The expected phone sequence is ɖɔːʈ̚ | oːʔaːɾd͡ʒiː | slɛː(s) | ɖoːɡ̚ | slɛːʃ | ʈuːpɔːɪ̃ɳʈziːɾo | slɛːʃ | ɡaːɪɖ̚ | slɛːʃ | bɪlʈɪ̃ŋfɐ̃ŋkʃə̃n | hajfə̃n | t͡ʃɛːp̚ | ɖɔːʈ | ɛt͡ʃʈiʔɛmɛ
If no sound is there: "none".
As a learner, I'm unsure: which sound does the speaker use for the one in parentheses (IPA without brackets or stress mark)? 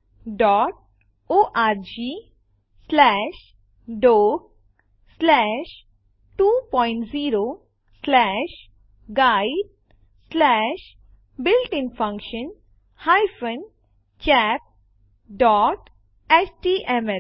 ʃ